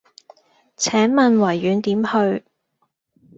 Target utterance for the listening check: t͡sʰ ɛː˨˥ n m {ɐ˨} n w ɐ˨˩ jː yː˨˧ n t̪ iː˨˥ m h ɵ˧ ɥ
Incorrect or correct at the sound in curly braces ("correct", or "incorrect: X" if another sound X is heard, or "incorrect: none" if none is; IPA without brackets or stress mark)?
correct